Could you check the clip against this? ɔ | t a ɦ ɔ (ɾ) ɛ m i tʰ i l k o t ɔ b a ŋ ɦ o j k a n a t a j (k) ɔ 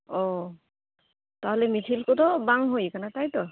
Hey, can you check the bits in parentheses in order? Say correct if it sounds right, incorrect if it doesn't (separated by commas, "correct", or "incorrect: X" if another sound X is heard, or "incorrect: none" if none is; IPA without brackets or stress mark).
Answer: incorrect: l, incorrect: t